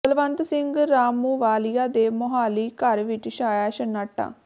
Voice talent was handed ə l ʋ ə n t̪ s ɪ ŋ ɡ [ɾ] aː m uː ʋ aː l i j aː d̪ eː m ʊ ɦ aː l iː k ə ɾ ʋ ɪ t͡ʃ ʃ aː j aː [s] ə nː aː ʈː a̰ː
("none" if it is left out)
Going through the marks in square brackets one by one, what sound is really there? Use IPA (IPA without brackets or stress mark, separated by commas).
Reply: ɾ, ʃ